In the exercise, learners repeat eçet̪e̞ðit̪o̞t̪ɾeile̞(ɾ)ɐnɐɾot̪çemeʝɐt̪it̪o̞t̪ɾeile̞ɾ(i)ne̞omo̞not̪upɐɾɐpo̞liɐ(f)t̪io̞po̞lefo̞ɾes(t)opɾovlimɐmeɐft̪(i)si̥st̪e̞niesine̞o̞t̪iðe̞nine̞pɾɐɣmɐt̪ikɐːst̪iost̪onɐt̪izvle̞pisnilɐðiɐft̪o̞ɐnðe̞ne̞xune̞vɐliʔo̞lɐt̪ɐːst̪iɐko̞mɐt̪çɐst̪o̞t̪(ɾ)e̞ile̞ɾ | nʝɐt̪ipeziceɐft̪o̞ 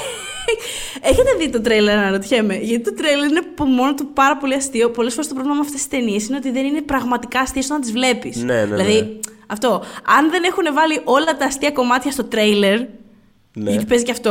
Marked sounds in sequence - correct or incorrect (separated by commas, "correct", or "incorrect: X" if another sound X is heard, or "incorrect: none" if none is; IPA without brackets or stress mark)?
correct, correct, incorrect: s, correct, incorrect: e, correct